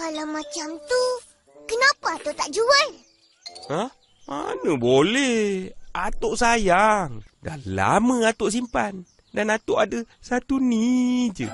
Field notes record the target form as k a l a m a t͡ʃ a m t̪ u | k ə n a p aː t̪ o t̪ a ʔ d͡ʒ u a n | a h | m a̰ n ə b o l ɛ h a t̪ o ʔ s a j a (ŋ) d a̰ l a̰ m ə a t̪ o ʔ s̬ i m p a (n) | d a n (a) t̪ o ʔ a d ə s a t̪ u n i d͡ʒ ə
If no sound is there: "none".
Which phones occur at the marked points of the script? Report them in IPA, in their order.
ŋ, n, a

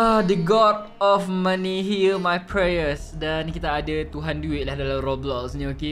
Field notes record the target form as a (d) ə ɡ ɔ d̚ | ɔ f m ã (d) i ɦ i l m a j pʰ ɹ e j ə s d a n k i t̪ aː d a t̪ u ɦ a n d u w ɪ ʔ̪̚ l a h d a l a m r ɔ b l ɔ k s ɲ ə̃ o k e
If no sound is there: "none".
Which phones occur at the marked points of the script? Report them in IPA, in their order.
d, n

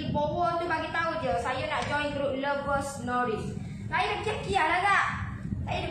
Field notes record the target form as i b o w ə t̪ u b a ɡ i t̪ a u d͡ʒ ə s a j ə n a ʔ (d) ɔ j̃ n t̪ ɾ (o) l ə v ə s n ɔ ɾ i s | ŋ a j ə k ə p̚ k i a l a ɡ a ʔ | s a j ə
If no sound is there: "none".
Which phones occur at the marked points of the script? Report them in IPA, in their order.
d͡ʒ, u

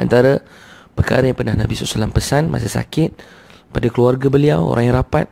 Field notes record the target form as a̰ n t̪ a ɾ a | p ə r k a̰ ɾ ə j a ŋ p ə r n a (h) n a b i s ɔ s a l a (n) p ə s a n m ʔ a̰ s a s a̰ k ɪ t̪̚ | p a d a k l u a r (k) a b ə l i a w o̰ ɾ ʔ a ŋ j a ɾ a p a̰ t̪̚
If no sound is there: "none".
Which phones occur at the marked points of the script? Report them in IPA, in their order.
h, m, ɡ

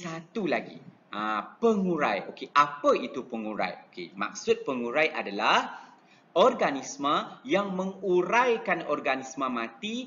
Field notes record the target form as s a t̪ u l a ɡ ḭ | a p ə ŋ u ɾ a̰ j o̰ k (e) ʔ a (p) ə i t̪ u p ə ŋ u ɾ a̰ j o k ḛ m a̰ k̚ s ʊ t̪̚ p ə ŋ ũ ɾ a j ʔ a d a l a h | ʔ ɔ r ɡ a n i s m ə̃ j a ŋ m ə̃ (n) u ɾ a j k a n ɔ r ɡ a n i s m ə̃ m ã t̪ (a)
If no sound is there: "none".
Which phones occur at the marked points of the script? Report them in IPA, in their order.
e, p, ŋ, i

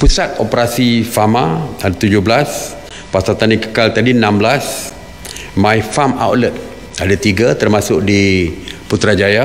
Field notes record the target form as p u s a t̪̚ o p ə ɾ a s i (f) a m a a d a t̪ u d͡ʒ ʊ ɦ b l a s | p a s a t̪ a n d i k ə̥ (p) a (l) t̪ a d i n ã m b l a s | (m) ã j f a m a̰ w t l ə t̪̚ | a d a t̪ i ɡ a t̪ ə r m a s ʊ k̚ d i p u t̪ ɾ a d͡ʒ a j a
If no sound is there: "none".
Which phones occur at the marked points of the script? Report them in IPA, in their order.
f, k, l, m

